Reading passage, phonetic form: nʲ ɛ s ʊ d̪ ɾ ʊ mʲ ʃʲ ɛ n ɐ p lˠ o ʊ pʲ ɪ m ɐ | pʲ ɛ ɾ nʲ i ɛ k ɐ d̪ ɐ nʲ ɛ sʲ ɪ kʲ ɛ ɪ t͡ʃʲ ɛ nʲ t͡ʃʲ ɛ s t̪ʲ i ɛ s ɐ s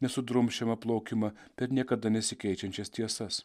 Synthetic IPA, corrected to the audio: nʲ ɛ s ʊ d̪ ɾ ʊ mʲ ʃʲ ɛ m ɐ p lˠ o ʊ kʲ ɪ m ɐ | pʲ ɛ ɾ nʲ i ɛ k ɐ d̪ ɐ nʲ ɛ sʲ ɪ kʲ ɛ ɪ t͡ʃʲ ɛ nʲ t͡ʃʲ ɛ s t̪ʲ i ɛ s ɐ s